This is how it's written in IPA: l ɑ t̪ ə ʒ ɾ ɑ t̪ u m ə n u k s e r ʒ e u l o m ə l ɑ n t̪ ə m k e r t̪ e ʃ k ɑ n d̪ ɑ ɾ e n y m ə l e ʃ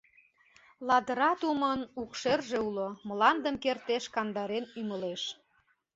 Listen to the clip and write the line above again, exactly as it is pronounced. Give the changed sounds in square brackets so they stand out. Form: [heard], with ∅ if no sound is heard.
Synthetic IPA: l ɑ [d̪] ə [∅] ɾ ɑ t̪ u m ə n u k [ʃ] e r ʒ e u l o m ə l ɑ n [d̪] ə m k e r t̪ e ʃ k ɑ n d̪ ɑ ɾ e n y m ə l e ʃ